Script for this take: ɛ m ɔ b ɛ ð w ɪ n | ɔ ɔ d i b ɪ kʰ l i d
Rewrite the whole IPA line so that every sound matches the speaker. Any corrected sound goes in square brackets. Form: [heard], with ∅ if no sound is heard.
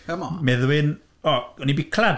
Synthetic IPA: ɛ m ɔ [m] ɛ ð w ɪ n | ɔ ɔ [n] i b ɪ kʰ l [a] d